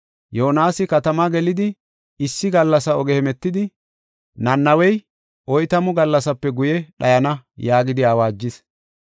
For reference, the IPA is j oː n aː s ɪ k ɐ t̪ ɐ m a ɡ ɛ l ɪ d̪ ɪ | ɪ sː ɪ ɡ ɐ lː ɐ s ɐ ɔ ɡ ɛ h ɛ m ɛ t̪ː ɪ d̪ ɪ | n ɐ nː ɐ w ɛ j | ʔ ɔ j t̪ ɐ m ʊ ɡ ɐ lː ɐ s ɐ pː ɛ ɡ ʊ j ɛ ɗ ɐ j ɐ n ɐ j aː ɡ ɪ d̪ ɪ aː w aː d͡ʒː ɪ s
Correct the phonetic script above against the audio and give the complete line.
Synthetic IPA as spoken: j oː n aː s ɪ k ɐ t̪ ɐ m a ɡ ɛ l ɪ d̪ ɪ | ɪ sː ɪ ɡ ɐ lː ɐ s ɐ ɔ ɡ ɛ h ɛ m ɛ t̪ː ɪ d̪ ɪ | n ɐ nː ɐ w ɛ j | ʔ ɔ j t̪ ɐ m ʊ ɡ ɐ lː ɐ s ɐ pː ɛ ɡ ʊ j ɛ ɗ ɐ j ɐ n ɐ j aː ɡ ɪ d̪ ɪ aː w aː d͡ʒː ɪ s